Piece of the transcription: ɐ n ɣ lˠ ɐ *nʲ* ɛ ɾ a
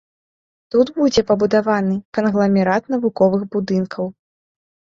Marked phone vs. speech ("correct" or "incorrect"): incorrect